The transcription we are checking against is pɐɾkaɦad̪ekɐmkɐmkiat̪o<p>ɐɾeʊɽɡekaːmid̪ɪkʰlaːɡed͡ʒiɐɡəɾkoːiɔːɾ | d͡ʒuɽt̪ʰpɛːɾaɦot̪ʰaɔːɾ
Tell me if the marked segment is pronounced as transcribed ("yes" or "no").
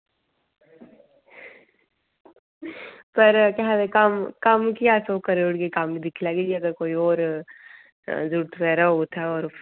no